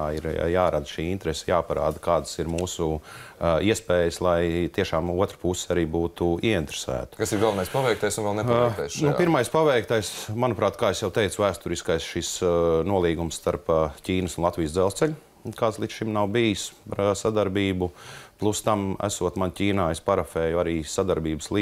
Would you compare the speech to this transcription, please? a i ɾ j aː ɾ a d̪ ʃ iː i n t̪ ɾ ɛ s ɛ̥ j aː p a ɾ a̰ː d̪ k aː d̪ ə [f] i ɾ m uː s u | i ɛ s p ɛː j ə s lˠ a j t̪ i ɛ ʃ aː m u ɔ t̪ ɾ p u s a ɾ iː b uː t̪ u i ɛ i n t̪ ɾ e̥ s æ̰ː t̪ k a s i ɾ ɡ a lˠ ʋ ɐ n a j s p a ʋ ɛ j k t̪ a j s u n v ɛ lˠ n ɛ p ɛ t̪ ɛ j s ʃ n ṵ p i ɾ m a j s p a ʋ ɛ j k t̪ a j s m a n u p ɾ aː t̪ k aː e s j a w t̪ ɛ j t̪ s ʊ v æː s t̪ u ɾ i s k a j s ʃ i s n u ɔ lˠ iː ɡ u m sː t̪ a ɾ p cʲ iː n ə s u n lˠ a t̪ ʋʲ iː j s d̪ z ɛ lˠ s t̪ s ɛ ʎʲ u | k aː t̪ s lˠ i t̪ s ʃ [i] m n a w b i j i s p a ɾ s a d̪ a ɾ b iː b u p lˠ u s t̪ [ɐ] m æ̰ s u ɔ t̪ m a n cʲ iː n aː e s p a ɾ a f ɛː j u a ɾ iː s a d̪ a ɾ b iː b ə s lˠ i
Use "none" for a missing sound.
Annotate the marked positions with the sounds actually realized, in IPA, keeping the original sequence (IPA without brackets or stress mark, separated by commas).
s, i, a